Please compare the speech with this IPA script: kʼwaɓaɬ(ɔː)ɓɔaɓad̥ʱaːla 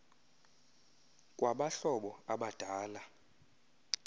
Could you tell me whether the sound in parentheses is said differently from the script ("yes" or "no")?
yes